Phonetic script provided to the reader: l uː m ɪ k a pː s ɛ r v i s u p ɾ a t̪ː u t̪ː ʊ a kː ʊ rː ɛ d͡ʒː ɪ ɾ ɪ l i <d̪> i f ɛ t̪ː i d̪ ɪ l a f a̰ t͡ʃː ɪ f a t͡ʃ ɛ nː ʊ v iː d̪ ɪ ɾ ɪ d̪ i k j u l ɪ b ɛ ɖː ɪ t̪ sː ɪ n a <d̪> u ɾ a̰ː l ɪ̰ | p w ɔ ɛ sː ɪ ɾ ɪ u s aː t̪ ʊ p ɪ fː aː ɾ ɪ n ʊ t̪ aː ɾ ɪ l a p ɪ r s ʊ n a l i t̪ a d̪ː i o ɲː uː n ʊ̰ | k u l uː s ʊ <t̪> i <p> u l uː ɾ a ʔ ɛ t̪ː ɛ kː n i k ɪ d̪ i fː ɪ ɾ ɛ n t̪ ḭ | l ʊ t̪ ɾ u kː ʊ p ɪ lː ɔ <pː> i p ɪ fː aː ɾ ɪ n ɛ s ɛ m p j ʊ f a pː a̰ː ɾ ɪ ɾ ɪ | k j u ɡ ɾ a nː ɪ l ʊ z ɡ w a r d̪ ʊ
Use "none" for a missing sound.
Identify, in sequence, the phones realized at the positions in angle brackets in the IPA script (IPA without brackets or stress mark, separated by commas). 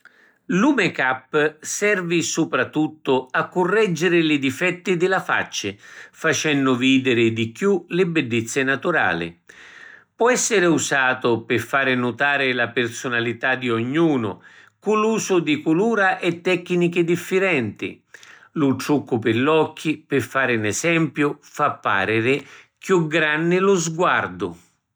d̪, t̪, d̪, k, kː